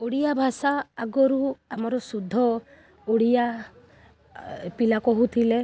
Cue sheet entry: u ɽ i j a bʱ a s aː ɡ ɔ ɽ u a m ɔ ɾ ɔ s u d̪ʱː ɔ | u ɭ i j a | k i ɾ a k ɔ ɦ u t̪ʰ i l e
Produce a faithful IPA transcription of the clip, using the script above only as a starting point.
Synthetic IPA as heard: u ɽ i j a bʱ a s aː ɡ ɔ ɾ u a m ɔ ɾ ɔ s u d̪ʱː ɔ | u ɽ i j a | p i l a k ɔ ɦ u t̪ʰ i l e